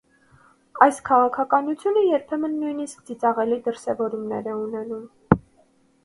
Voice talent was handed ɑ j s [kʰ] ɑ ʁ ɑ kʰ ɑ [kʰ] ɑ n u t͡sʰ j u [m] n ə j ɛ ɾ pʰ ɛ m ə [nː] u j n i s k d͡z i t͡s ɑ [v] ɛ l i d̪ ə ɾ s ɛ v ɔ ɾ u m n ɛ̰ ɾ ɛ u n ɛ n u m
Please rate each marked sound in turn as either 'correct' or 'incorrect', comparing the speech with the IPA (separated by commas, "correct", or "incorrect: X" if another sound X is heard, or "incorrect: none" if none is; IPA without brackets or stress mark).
correct, incorrect: k, incorrect: none, correct, incorrect: ʁ